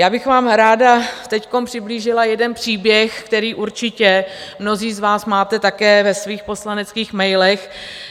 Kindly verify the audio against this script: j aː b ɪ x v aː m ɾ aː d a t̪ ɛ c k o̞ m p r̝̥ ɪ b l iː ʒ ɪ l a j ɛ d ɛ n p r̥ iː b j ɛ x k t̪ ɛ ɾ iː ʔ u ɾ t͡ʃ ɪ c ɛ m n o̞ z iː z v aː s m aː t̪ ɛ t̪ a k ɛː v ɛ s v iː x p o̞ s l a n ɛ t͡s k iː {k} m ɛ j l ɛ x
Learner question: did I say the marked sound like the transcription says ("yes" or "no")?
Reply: no